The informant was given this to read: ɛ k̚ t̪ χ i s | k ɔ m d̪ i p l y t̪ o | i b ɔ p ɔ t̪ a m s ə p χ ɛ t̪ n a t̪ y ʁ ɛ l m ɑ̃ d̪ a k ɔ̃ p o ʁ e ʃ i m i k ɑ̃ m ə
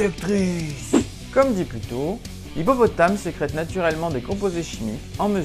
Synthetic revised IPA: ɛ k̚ t̪ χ i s | k ɔ m d̪ i p l y t̪ o | i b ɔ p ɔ t̪ a m s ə k χ ɛ t̪ n a t̪ y ʁ ɛ l m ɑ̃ d̪ e k ɔ̃ p o z e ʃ i m i k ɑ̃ m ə